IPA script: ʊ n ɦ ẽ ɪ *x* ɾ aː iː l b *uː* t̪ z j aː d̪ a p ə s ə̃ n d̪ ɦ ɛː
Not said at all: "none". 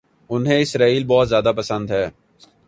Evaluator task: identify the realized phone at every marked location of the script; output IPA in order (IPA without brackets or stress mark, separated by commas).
s, ɔː